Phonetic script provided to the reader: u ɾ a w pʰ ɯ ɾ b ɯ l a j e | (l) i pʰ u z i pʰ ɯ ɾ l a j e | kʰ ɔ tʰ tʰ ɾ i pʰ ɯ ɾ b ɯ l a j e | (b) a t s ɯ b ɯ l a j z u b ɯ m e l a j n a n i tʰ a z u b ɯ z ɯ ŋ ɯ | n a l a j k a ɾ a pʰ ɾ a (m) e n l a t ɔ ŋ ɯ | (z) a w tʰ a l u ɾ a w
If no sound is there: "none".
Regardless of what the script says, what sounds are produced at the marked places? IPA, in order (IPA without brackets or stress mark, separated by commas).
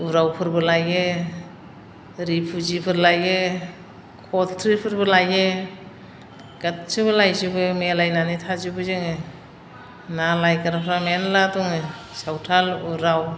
ɾ, ɡ, m, s